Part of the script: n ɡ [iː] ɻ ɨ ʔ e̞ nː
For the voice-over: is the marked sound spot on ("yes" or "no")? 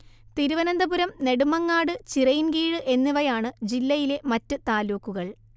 yes